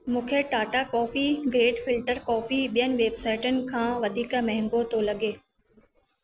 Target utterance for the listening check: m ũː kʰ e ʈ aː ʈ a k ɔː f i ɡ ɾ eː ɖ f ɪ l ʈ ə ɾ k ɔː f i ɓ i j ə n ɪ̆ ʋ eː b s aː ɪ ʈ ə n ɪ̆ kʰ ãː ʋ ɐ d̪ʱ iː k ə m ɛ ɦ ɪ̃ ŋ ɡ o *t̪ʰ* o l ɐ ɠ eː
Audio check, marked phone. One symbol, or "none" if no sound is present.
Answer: t̪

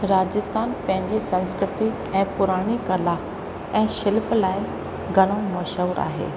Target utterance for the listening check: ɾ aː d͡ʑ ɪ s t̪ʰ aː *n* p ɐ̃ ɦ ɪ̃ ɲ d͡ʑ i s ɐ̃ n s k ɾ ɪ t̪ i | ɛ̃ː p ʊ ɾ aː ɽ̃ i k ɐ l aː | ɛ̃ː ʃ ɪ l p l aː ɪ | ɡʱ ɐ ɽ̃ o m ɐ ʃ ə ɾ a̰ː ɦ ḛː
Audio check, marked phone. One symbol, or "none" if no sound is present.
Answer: n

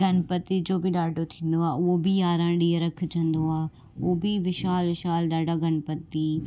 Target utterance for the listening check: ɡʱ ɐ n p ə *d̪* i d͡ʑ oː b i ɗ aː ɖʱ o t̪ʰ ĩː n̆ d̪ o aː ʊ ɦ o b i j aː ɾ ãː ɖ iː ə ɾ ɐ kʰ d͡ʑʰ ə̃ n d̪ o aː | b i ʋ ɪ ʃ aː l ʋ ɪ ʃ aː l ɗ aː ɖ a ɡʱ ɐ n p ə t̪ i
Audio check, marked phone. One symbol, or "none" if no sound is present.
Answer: t̪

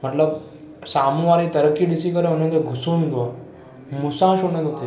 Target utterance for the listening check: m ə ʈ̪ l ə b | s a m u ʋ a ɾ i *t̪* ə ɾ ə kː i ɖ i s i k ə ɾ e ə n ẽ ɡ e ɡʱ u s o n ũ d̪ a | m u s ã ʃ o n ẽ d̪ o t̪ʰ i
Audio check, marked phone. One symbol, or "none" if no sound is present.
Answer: t̪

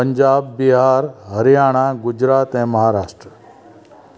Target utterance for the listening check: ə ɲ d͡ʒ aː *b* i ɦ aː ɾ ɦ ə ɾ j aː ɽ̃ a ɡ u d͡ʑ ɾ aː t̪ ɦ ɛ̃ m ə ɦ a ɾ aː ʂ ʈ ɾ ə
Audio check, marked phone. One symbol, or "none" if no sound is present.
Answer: bː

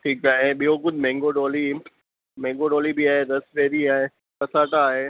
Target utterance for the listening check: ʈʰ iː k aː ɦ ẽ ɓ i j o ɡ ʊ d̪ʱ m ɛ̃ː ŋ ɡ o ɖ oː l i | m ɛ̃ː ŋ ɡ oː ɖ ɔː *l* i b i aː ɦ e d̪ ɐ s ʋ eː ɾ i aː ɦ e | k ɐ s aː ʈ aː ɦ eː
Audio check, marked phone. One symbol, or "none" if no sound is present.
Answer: l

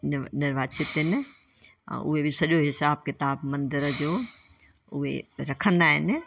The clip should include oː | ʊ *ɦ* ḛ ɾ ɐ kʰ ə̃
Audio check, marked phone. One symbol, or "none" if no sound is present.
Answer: ɦ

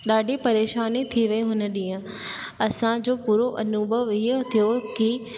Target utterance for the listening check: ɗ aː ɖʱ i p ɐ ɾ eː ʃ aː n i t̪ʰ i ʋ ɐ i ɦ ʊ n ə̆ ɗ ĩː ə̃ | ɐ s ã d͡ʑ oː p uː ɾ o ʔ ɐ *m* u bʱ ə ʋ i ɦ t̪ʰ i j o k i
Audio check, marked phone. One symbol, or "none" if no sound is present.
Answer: n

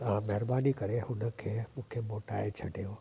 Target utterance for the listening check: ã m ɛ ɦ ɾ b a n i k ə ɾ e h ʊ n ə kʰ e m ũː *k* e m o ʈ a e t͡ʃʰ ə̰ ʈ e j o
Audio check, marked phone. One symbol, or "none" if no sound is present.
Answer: kʰ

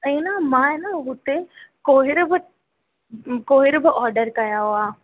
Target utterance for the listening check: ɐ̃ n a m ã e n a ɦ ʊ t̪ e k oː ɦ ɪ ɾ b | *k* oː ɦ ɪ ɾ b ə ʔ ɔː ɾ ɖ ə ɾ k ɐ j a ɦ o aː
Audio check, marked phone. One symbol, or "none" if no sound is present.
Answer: k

